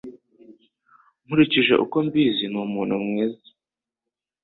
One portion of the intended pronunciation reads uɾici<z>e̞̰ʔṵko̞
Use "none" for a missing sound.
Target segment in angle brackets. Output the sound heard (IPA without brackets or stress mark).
ʒ